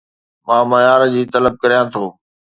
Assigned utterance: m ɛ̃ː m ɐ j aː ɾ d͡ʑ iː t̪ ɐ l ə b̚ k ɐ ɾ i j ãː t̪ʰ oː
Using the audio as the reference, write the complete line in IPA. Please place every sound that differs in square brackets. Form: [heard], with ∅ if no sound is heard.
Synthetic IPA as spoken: m [ãː] m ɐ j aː ɾ d͡ʑ iː t̪ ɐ l ə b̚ k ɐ ɾ i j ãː t̪ʰ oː